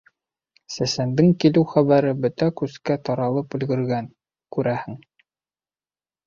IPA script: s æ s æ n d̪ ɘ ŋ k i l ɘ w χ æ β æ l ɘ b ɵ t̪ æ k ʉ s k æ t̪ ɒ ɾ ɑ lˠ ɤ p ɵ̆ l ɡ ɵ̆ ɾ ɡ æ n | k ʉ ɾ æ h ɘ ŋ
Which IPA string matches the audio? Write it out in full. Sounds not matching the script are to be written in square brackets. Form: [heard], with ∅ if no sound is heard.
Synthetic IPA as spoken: s æ s æ n d̪ ɘ ŋ k i l ɘ w χ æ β æ [ɾ] ɘ b ɵ t̪ æ k ʉ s k æ t̪ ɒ ɾ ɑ lˠ ɤ p ɵ̆ l ɡ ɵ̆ ɾ ɡ æ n | k ʉ ɾ æ h ɘ ŋ